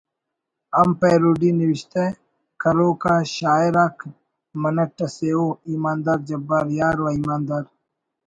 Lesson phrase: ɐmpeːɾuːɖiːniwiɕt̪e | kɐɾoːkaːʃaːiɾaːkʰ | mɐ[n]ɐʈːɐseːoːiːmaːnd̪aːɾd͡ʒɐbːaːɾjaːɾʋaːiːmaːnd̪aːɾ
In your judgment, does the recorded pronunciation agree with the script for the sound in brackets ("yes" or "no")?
yes